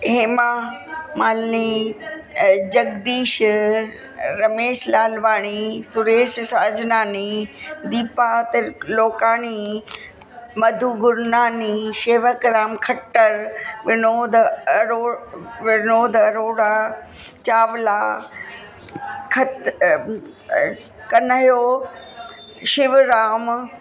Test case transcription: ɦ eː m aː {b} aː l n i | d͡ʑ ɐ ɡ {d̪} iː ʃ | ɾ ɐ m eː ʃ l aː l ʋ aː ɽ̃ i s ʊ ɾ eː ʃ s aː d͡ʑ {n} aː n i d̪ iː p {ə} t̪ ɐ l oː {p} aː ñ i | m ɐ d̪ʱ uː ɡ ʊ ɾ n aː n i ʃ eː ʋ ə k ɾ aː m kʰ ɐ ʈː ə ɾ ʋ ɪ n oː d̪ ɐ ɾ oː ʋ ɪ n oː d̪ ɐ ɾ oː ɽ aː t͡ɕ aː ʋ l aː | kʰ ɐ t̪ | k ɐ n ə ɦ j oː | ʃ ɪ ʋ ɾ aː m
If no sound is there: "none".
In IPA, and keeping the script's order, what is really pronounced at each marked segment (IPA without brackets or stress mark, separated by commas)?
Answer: m, d̪, n, a, k